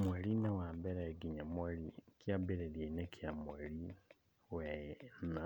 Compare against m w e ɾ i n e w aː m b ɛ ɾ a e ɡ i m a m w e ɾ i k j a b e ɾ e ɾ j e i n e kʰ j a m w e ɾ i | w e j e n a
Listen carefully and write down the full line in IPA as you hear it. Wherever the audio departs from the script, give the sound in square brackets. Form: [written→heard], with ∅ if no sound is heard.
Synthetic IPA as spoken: m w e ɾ i n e w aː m b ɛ ɾ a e ɡ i [m→ɲ] a m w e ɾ i k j a b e ɾ e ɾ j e i n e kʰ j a m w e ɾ i | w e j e n a